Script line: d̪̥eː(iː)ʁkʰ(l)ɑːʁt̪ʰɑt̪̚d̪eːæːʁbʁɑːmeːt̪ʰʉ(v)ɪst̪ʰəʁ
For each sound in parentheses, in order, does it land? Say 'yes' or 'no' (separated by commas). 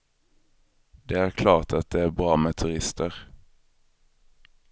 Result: no, yes, no